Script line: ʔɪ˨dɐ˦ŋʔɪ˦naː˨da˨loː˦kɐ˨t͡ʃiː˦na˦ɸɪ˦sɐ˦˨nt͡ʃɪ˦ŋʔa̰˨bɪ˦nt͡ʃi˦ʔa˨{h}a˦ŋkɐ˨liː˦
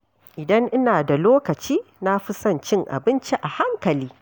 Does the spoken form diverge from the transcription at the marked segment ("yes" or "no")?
no